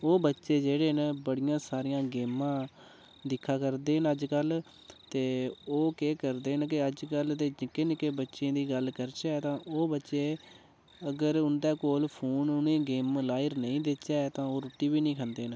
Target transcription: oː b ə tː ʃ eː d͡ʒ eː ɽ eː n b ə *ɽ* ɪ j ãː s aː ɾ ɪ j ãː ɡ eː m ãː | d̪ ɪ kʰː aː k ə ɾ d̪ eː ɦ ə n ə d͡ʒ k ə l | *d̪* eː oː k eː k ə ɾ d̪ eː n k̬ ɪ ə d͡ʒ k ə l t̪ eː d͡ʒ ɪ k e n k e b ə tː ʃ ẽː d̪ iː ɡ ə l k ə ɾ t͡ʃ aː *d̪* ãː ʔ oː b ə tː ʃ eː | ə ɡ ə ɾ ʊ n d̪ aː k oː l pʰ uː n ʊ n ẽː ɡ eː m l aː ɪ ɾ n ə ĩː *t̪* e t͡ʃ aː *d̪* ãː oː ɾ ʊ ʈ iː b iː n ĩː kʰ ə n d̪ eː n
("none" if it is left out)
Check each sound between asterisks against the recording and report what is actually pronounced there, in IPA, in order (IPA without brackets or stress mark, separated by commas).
ɽ, t̪, t̪, d̪, t̪